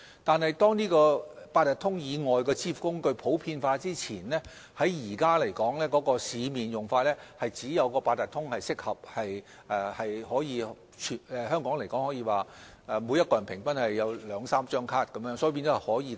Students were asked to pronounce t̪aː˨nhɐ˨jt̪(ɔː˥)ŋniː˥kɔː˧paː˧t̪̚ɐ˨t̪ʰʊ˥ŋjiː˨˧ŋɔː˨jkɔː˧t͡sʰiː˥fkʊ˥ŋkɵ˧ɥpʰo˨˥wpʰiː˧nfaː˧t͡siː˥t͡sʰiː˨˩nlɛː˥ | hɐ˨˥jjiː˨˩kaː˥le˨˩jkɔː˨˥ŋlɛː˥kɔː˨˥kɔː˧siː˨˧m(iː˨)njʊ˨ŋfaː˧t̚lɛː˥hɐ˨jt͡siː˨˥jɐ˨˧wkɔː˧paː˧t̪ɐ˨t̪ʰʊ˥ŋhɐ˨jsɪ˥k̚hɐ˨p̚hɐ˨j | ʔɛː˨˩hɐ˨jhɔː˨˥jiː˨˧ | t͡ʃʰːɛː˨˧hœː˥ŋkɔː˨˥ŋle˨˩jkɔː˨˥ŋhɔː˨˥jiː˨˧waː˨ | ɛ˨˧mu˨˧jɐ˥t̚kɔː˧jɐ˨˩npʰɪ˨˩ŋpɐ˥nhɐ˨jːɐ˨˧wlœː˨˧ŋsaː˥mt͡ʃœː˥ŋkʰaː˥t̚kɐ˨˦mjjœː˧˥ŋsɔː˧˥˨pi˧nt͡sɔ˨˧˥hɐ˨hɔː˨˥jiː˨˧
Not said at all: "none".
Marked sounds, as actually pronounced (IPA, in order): ɔː˥, iː˨

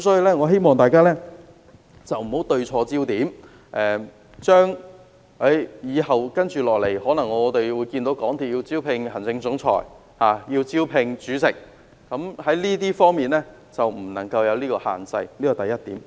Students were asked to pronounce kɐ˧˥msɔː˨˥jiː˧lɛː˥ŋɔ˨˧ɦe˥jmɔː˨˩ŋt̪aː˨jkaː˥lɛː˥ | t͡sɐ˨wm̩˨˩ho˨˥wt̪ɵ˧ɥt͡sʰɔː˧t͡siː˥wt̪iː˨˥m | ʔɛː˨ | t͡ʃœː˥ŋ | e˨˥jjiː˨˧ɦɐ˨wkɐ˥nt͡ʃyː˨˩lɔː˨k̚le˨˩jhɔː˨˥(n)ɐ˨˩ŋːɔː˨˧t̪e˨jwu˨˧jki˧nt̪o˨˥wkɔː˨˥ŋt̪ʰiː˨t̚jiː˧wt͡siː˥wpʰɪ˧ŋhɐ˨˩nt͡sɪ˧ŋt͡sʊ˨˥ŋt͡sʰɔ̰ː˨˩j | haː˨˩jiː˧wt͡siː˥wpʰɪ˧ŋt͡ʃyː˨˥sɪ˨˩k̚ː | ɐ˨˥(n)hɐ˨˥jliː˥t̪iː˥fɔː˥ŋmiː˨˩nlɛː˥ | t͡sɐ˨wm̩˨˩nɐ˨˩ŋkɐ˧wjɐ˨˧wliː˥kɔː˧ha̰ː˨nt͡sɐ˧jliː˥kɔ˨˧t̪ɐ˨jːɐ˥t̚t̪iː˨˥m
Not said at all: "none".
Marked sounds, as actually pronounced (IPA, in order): n, m

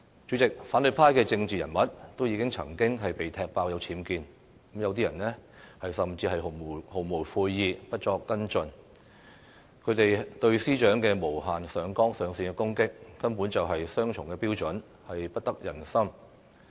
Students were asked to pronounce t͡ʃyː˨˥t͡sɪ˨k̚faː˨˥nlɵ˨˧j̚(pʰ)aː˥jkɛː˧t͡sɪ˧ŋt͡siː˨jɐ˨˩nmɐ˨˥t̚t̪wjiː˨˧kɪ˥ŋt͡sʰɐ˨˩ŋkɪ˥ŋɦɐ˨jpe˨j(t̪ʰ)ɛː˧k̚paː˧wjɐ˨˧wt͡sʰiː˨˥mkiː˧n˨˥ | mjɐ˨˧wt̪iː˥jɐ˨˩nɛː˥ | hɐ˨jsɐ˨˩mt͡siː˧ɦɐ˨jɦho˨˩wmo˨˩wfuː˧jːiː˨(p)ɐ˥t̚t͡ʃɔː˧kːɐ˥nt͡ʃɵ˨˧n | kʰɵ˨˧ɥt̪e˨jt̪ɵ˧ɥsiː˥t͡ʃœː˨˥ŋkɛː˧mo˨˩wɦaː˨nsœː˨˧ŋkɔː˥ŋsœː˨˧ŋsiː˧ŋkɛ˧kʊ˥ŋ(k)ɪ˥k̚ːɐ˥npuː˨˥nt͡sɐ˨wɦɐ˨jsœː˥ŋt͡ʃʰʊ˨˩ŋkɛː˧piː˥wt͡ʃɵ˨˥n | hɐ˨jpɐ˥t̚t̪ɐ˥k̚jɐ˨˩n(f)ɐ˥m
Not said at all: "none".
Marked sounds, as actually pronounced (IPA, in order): pʰ, t̪ʰ, p, k, s

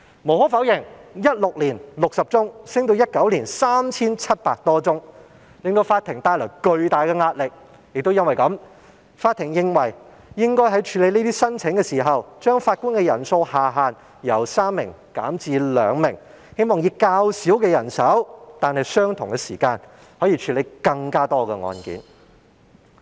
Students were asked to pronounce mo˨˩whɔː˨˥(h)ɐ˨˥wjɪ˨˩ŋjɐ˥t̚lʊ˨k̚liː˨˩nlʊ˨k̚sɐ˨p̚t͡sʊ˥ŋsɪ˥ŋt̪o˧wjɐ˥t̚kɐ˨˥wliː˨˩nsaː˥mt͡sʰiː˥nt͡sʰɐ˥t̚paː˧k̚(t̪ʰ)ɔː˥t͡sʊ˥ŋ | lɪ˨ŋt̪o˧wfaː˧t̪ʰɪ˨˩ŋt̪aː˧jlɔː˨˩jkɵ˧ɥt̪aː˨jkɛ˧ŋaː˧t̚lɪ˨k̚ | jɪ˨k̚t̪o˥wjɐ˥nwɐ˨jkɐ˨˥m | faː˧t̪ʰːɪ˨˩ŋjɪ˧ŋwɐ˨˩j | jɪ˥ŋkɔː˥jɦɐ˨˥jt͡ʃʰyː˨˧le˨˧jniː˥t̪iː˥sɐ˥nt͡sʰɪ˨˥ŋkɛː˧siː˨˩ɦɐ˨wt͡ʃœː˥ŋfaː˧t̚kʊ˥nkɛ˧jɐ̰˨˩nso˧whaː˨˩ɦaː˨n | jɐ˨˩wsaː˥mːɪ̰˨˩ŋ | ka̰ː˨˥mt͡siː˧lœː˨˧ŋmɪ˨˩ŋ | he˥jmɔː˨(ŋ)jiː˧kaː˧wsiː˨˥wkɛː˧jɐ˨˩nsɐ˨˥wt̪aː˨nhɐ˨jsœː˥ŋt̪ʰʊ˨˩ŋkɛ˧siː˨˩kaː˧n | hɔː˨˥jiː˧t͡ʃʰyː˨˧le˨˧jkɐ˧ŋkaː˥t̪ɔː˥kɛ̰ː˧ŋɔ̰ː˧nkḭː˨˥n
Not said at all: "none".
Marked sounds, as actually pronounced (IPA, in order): f, t̪, ŋ

